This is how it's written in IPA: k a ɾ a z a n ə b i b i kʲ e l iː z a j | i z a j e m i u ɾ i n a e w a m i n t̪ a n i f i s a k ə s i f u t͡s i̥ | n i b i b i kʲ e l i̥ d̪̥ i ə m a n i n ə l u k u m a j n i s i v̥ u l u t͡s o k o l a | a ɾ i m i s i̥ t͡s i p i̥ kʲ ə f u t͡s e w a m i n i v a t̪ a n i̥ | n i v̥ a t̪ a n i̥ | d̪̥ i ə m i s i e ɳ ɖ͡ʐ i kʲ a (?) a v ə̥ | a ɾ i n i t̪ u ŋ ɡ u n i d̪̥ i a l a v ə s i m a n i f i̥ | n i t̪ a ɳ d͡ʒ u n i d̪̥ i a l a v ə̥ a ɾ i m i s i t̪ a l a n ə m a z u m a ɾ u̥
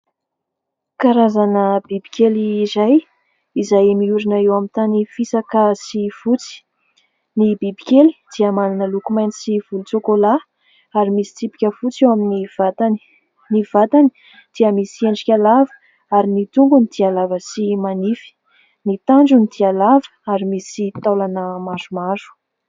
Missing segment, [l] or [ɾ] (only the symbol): l